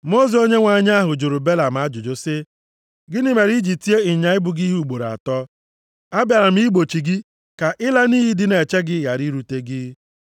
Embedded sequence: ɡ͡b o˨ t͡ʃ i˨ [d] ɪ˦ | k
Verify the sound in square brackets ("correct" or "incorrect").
incorrect